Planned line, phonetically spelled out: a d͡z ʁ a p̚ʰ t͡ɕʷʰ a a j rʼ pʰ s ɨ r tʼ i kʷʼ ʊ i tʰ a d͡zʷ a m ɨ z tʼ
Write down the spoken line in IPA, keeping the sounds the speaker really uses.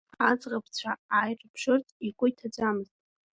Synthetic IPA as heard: a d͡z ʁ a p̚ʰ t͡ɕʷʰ a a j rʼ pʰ ʂ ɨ r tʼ i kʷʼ ʊ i tʰ a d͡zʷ a m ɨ z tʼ

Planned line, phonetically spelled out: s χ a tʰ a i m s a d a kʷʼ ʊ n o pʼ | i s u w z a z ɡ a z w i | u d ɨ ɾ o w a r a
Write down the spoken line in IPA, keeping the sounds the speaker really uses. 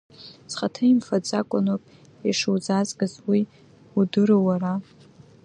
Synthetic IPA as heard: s χ a tʰ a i m f a d͡z a kʷʼ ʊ n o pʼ | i ʂ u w z a z ɡ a z w i | u d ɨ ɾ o w a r a

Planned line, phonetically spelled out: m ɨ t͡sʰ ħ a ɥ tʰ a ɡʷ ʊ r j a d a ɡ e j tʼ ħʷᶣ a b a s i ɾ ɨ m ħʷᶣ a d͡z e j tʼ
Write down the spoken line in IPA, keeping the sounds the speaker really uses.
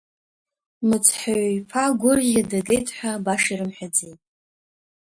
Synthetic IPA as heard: m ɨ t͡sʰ ħ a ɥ pʰ a ɡʷ ʊ r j a d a ɡ e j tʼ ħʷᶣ a b a ʂ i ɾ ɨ m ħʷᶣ a d͡z e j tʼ

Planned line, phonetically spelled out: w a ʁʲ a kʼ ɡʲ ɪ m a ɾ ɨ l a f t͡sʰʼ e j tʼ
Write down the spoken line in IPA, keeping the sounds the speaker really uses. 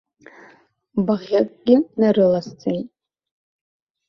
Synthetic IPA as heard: b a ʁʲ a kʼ ɡʲ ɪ n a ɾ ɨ l a s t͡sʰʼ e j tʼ

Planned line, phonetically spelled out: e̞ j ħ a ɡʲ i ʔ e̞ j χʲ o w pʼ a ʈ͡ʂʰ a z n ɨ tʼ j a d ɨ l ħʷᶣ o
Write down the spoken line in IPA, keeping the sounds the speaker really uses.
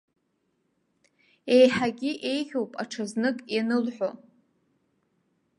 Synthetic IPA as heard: e̞ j ħ a ɡʲ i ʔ e̞ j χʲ o w pʼ a ʈ͡ʂʰ a z n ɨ kʼ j a n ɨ l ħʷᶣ o

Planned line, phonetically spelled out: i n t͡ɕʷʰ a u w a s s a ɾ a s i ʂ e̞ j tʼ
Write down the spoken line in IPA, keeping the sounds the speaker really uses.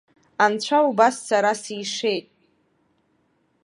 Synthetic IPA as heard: a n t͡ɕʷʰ a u b a s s a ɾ a s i ʂ e̞ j tʼ

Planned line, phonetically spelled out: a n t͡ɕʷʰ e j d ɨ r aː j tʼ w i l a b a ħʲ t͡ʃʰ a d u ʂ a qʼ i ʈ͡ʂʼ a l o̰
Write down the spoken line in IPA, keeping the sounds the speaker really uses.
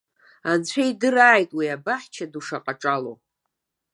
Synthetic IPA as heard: a n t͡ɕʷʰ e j d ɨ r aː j tʼ w i a b a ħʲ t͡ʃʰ a d u ʂ a qʼ a ʈ͡ʂʼ a l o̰

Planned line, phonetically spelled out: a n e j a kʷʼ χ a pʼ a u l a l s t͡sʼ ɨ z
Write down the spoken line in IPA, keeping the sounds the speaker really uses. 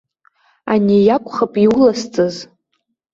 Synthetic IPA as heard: a n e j a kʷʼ χ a pʼ i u l a s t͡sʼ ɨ z

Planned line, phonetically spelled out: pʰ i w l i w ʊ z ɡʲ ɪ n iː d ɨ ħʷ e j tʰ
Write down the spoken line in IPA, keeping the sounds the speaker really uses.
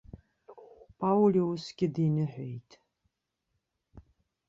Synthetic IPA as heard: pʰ a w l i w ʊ s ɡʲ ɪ d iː n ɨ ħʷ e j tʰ

